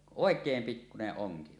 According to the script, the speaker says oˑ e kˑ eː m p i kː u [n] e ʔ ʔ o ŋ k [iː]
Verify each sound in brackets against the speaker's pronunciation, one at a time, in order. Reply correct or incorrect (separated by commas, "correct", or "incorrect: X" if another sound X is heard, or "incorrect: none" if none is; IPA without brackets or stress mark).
correct, incorrect: i